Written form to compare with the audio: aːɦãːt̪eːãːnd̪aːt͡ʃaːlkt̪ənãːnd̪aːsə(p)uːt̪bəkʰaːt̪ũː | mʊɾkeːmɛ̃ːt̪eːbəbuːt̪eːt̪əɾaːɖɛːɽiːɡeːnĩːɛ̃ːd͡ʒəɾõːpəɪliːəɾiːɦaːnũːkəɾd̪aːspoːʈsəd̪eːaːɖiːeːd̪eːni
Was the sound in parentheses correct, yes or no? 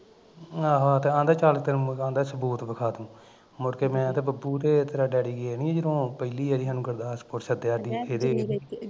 no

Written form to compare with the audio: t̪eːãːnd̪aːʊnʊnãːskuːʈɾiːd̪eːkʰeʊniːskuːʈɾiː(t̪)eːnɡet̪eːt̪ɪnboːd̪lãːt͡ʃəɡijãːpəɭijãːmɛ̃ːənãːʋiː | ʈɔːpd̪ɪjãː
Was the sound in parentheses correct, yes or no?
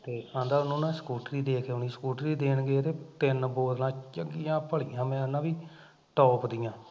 no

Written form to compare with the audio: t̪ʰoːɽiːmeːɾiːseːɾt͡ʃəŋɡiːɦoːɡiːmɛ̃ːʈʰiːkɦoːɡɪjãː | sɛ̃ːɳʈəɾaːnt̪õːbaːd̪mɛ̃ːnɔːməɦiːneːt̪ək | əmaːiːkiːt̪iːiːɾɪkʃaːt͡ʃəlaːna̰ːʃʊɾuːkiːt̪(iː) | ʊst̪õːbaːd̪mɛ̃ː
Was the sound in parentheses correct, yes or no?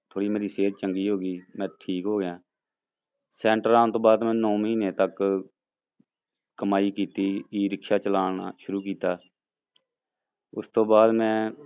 no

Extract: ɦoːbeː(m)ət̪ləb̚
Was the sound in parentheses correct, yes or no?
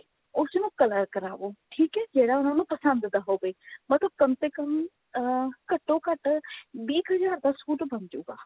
yes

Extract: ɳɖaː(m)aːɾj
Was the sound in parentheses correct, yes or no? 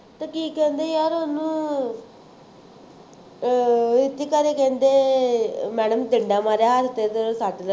yes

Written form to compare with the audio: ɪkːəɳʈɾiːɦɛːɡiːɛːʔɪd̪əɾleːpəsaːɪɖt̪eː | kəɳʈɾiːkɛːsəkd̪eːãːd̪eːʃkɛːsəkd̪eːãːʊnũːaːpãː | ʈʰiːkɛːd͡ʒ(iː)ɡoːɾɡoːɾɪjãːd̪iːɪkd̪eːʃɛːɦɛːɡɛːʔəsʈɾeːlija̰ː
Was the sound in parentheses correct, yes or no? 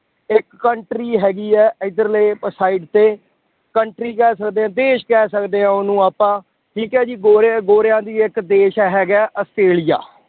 yes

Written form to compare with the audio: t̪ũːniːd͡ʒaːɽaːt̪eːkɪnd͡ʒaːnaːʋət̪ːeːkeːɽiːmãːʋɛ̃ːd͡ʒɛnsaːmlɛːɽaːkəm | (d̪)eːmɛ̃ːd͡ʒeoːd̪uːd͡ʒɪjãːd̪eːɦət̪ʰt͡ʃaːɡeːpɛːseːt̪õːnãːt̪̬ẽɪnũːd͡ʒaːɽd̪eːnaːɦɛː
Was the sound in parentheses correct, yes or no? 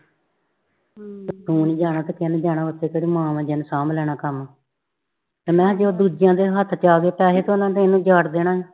no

